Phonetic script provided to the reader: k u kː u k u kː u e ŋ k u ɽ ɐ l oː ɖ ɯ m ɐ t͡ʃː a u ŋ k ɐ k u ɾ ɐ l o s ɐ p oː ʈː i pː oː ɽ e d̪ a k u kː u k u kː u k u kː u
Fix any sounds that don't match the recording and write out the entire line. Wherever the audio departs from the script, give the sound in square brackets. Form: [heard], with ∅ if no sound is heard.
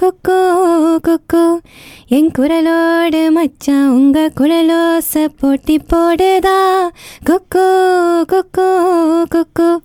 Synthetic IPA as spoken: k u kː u k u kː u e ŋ k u [ɾ] ɐ l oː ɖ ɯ m ɐ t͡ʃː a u ŋ [ɡ] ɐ k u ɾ ɐ l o s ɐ p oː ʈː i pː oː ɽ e d̪ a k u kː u k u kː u k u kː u